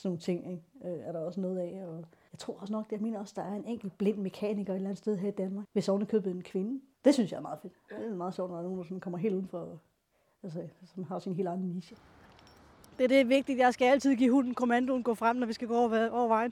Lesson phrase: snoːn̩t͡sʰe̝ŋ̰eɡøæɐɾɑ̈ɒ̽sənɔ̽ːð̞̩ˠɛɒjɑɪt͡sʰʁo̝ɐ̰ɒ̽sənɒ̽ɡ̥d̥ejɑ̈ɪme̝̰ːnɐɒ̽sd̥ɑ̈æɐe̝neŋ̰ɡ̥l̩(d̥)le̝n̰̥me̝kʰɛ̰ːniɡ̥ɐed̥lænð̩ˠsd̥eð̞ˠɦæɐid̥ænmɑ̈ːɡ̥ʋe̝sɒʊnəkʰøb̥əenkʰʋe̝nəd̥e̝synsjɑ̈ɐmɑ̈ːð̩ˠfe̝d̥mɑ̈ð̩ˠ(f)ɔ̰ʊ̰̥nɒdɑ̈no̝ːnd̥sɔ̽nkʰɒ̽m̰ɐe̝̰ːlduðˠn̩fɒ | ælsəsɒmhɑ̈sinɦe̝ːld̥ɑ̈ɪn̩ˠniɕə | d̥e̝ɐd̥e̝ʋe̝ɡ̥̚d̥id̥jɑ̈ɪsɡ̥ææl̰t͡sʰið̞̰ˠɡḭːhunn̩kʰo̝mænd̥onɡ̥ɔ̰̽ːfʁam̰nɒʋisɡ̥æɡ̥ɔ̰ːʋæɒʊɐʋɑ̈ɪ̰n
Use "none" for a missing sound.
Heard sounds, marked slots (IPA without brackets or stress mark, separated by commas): b̥, ɕ